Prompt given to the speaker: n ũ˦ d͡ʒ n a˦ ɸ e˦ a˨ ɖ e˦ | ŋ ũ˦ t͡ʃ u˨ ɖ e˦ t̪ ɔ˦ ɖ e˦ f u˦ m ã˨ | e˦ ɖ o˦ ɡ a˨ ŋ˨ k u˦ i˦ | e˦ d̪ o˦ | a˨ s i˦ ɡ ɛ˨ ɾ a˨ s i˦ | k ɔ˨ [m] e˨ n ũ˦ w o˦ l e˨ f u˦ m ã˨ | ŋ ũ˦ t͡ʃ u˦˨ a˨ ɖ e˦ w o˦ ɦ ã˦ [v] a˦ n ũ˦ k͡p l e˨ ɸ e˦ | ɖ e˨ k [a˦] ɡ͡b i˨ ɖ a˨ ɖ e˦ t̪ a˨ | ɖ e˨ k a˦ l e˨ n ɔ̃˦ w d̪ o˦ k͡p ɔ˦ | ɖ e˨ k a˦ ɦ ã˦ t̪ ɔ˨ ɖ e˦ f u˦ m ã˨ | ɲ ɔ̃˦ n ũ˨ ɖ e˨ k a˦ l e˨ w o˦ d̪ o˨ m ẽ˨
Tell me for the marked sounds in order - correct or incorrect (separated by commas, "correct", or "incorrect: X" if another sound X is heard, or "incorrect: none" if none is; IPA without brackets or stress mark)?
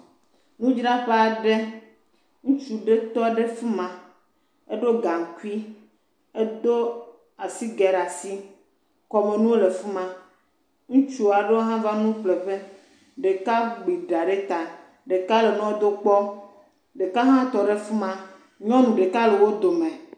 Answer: correct, correct, correct